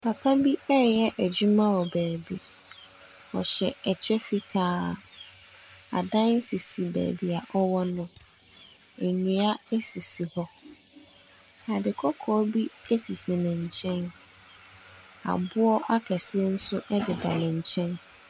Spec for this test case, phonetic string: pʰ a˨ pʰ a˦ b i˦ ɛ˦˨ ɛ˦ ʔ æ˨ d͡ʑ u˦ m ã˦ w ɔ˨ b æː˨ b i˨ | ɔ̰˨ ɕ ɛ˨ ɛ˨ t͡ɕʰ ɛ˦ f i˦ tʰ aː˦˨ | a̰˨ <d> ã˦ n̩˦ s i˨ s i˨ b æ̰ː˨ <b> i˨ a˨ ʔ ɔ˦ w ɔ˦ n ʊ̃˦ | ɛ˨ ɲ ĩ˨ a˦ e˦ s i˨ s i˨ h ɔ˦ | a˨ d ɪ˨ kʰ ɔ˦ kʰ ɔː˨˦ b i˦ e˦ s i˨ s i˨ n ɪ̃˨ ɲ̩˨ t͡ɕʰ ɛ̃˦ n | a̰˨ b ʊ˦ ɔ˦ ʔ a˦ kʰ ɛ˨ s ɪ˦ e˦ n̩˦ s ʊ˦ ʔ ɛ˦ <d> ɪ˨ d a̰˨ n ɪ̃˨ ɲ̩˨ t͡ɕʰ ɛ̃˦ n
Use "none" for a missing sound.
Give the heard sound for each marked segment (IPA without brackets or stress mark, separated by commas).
d, b, d